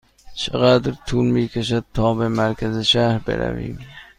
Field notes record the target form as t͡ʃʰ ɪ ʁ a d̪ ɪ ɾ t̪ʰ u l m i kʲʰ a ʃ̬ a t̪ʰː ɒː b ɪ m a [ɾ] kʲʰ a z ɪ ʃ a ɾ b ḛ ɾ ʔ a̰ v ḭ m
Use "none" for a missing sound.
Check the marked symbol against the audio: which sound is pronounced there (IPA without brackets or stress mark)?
ɾ